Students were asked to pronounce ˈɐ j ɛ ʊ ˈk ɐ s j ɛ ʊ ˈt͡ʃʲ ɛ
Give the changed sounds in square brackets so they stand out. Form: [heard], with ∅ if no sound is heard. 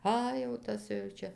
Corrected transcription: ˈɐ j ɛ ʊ [ˈt] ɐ s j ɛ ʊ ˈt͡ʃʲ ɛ